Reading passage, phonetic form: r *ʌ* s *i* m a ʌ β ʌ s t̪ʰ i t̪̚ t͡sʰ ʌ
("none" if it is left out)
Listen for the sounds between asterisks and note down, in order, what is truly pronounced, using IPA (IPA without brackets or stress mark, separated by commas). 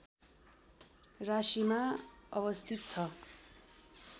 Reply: a, i